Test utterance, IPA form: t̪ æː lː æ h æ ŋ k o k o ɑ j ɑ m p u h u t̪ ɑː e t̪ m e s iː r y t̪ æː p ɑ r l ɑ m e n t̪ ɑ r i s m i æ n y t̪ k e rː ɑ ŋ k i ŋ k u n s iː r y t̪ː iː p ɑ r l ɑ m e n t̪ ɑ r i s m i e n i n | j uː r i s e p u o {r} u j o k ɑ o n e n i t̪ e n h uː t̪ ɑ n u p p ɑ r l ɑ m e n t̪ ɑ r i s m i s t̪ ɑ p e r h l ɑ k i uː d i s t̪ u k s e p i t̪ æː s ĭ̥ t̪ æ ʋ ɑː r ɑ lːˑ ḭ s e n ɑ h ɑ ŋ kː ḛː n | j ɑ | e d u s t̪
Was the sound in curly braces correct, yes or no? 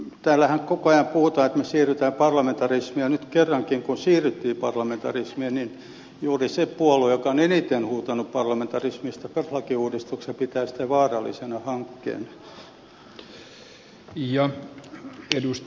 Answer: no